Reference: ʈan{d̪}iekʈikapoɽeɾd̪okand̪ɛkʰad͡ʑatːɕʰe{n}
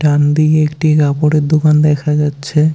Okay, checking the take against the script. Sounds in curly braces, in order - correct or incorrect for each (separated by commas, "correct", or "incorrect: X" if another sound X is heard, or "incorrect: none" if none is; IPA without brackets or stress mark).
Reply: correct, incorrect: none